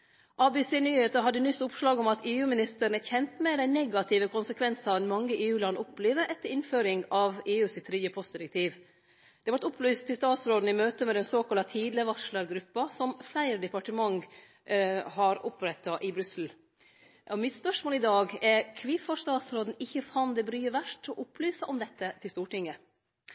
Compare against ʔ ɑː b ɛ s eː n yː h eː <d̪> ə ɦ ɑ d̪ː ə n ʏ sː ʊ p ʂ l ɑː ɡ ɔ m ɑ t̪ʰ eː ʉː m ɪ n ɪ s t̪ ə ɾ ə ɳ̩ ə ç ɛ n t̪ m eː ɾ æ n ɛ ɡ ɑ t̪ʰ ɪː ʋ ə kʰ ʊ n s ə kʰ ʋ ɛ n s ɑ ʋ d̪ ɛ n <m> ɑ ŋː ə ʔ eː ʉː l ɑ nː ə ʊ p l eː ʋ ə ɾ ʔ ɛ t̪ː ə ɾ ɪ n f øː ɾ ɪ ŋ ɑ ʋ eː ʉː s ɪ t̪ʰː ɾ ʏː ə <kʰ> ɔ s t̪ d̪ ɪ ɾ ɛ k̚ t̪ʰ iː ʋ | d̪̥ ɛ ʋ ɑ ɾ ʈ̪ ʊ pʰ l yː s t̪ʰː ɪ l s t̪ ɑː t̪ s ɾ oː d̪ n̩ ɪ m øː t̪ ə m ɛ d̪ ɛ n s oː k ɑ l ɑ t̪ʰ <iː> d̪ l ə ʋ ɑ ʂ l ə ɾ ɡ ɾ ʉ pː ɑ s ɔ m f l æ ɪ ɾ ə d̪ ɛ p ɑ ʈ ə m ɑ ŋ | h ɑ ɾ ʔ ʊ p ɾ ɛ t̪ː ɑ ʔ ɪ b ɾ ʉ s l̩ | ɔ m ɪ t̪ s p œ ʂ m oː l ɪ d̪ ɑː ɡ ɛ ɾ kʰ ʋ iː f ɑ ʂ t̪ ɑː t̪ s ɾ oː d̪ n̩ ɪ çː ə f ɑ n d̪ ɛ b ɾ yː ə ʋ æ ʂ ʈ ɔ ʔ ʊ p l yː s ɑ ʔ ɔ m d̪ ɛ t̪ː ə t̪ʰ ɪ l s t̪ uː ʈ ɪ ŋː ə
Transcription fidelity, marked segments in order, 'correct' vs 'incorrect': incorrect: t̪, correct, incorrect: pʰ, correct

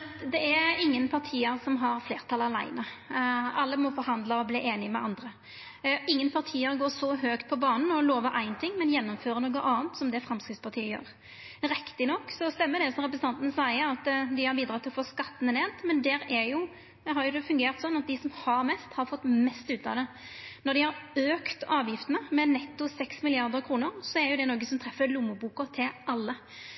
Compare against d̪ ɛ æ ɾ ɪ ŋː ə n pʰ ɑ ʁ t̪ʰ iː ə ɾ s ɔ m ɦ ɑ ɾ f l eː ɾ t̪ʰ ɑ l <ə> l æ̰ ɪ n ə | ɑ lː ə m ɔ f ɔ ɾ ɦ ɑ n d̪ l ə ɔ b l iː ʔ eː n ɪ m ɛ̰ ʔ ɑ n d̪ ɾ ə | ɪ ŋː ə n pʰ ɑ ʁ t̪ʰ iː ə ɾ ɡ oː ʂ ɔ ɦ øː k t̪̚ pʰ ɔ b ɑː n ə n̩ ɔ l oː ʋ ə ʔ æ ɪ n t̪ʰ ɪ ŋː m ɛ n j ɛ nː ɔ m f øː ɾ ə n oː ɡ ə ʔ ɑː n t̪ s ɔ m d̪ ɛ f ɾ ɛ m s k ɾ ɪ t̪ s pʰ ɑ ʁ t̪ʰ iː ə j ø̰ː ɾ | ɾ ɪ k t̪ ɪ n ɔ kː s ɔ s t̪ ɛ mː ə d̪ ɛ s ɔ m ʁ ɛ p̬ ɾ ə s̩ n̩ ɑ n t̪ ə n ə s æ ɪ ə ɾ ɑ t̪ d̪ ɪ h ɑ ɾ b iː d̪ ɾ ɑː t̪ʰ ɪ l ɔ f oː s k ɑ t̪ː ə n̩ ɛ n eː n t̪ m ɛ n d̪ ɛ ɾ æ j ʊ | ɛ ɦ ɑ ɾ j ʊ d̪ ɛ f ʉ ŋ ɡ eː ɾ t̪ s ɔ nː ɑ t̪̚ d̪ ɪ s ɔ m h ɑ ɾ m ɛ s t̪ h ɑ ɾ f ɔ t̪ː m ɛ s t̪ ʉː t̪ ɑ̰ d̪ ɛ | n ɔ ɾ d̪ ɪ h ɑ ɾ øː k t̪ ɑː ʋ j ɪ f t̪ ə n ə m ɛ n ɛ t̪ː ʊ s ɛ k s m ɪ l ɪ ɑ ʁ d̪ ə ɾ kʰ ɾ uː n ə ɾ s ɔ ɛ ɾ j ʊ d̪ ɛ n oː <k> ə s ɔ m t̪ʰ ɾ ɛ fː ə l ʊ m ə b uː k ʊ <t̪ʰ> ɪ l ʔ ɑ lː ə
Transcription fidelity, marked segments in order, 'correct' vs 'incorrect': incorrect: ɑ, incorrect: ɡ, correct

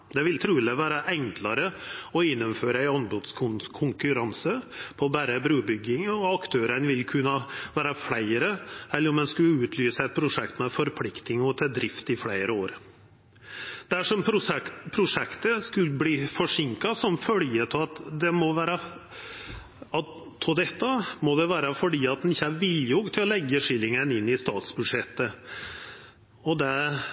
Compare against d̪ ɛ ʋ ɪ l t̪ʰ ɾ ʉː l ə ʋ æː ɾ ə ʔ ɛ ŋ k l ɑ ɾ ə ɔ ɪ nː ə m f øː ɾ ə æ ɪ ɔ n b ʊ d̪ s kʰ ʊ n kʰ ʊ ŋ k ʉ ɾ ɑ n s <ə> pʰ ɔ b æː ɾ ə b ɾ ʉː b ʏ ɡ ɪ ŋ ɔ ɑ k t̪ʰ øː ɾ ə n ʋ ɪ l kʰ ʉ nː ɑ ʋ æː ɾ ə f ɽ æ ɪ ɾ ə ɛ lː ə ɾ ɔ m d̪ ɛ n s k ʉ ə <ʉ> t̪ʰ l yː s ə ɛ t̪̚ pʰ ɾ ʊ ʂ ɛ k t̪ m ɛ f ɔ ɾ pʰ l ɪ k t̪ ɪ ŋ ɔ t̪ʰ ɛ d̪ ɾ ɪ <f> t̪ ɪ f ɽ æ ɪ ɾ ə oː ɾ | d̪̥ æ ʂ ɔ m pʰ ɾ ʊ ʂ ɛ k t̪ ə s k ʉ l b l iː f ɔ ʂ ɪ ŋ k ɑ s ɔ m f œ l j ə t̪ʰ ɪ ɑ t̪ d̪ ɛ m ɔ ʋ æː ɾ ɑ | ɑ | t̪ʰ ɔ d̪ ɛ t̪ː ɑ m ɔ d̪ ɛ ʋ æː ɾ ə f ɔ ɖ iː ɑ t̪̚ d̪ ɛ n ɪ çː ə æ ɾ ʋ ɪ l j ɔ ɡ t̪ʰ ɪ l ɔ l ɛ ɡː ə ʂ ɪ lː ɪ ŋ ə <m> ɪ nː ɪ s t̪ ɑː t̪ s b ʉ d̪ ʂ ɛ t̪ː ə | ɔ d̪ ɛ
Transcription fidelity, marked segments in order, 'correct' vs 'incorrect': correct, incorrect: ʉː, correct, incorrect: n

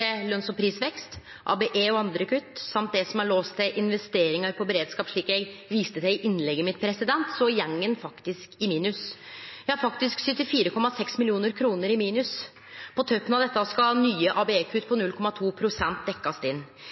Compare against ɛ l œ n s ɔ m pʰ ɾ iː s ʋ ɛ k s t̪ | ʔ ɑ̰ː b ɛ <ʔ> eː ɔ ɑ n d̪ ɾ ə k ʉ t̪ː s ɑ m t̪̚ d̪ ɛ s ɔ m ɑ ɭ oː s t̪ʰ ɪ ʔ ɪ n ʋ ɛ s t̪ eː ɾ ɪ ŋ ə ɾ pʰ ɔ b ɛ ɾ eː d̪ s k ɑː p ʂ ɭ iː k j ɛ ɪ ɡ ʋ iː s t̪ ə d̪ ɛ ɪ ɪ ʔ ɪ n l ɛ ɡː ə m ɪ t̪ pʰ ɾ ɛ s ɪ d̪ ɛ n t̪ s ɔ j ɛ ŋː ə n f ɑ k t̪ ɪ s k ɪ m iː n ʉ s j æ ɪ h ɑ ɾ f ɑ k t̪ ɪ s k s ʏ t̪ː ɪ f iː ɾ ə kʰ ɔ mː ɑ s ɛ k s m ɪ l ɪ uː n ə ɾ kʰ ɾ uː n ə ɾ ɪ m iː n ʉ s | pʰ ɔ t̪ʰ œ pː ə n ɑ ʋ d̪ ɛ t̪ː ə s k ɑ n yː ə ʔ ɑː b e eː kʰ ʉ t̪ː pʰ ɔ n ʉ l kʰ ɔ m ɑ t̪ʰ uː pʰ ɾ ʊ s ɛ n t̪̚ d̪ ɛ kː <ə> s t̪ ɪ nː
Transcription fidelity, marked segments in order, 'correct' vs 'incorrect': correct, incorrect: ɑ

